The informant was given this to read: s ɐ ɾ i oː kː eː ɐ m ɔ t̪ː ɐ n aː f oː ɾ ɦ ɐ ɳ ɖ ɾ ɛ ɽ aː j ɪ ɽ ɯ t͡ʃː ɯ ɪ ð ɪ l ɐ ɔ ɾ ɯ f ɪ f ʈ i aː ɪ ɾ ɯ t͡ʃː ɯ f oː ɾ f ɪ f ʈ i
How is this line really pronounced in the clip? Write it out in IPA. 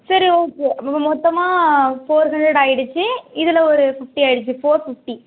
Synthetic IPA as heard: s ɐ ɾ i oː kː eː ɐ m ɔ t̪ː ɐ m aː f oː ɾ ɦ ɐ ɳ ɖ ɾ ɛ ɽ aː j ɪ ɽ ɯ t͡ʃː ɯ ɪ ð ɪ l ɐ ɔ ɾ ɯ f ɪ f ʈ i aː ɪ ɽ ɯ t͡ʃː ɯ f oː ɾ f ɪ f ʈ i